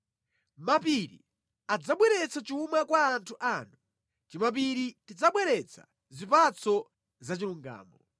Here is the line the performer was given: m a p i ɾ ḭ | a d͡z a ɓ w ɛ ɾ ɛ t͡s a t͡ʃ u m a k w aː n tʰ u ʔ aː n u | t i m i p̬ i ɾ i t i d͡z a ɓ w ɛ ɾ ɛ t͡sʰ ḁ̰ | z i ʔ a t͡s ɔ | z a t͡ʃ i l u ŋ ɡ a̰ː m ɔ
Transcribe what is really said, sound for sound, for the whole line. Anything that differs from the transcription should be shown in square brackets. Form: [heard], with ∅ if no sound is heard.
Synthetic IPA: m a p i ɾ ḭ | a d͡z a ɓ w ɛ ɾ ɛ t͡s a t͡ʃ u m a k w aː n tʰ u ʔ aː n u | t i m [a] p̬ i ɾ i t i d͡z a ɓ w ɛ ɾ ɛ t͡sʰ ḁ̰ | z i [p] a t͡s ɔ | z a t͡ʃ i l u ŋ ɡ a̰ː m ɔ